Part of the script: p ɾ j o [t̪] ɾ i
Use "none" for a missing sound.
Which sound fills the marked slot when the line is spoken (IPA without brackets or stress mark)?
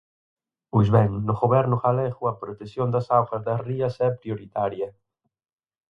none